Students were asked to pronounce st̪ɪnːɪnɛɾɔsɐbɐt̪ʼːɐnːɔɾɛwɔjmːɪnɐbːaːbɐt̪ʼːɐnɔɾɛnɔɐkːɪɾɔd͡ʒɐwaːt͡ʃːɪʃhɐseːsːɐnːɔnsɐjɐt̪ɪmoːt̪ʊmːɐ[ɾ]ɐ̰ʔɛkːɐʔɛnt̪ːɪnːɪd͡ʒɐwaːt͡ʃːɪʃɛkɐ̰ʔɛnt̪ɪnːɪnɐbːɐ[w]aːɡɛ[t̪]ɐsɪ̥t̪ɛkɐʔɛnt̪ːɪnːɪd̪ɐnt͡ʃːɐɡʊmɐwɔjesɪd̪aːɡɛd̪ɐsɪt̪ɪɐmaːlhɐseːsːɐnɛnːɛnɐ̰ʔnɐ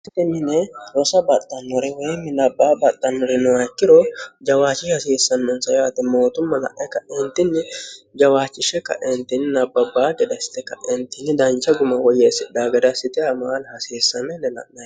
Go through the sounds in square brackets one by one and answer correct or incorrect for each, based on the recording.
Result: incorrect: l, incorrect: b, incorrect: d̪

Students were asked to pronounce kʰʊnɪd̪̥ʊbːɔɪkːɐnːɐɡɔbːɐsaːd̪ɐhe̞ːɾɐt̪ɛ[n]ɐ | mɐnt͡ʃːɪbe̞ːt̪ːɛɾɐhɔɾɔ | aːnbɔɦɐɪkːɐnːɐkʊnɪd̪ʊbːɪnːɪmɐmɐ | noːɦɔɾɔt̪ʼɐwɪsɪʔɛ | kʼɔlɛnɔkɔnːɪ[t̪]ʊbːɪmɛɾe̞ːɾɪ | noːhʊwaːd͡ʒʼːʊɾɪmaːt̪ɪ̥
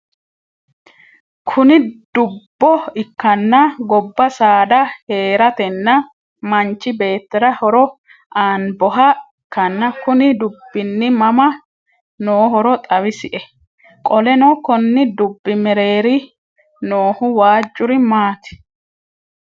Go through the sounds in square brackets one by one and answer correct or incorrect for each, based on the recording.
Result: incorrect: nː, incorrect: d̪

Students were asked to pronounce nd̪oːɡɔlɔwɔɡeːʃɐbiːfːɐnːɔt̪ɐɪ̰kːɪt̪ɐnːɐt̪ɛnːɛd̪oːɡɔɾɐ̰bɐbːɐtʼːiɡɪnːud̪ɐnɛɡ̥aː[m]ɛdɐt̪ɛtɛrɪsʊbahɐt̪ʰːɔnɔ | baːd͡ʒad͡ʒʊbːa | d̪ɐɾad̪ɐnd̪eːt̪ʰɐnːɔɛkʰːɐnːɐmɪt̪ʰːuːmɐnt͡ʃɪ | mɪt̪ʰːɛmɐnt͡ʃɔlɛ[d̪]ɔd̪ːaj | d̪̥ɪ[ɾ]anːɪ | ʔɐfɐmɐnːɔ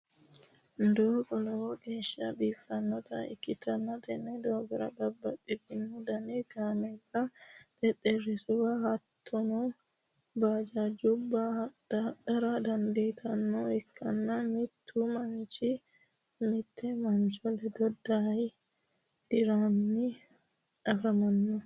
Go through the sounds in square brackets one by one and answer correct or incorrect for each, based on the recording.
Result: correct, correct, correct

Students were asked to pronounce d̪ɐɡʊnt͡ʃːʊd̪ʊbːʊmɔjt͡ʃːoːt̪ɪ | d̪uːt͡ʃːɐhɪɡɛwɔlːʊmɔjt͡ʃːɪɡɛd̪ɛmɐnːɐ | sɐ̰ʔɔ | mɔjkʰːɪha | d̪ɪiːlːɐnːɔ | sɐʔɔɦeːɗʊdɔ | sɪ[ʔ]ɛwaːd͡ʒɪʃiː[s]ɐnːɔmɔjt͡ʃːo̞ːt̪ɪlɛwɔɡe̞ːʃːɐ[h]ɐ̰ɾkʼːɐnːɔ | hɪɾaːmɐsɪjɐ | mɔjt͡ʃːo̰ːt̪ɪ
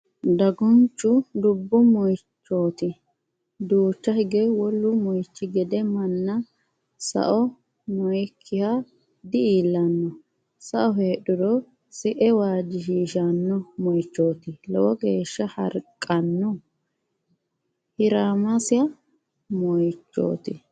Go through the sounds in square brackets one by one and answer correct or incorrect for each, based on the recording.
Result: correct, incorrect: ʃ, correct

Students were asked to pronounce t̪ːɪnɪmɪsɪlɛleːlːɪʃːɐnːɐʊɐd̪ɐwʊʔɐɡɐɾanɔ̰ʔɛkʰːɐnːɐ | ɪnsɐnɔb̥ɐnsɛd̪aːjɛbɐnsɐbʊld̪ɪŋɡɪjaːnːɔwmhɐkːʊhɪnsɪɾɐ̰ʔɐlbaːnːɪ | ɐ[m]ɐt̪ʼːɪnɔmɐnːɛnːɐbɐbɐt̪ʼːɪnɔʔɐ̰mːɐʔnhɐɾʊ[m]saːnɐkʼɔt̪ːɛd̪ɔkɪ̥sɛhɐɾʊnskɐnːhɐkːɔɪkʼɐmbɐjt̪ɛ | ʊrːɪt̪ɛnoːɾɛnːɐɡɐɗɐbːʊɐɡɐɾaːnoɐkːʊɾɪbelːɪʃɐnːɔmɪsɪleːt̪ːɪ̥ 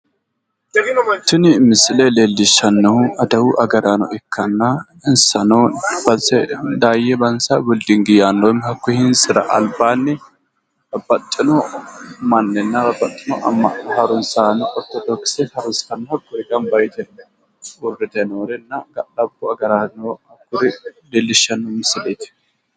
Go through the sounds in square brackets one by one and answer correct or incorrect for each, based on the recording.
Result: incorrect: b, incorrect: n

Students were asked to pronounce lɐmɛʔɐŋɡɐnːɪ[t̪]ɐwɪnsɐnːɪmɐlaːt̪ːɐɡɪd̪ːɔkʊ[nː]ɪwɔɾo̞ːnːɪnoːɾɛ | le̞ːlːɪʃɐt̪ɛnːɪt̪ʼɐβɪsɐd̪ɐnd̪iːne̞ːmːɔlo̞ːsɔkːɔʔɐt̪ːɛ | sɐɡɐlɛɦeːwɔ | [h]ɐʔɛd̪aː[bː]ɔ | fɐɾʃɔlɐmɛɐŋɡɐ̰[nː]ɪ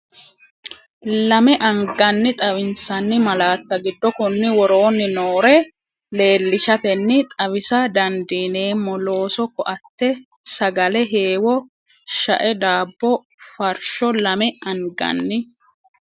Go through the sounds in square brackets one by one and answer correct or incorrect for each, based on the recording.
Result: incorrect: t̪ʼ, correct, incorrect: ʃ, correct, correct

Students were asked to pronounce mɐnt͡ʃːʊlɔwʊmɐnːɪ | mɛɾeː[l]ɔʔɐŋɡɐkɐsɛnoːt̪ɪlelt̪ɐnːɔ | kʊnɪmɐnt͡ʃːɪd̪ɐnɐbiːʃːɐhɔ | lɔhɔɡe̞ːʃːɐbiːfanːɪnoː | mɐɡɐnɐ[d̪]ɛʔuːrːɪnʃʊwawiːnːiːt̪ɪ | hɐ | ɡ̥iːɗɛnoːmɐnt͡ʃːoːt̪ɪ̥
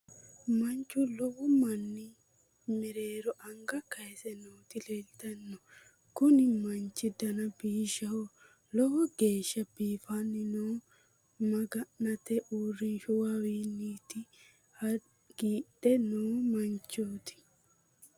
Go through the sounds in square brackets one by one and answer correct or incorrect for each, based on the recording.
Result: incorrect: ɾ, incorrect: t̪

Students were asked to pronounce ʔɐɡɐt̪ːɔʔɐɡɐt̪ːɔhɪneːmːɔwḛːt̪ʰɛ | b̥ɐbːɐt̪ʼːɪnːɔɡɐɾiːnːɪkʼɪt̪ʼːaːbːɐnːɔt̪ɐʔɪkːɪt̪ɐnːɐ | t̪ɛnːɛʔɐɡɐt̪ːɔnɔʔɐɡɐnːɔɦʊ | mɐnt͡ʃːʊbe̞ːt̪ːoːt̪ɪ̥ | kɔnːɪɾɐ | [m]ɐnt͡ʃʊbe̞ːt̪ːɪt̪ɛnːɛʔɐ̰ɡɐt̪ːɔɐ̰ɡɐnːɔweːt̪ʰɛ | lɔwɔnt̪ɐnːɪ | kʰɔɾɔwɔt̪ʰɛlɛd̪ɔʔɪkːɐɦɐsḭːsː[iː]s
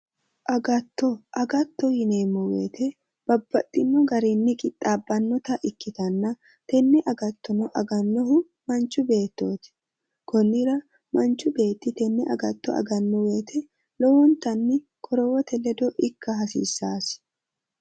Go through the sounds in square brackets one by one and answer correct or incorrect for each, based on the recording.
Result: correct, incorrect: aː

